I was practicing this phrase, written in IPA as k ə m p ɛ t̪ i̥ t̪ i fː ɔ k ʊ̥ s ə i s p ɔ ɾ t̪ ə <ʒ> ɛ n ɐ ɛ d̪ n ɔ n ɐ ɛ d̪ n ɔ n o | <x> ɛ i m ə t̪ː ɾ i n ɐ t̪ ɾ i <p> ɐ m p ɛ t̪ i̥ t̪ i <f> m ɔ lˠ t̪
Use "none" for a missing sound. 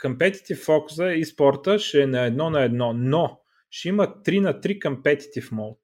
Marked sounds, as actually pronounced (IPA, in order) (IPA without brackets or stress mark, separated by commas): ʃ, ʃ, k, f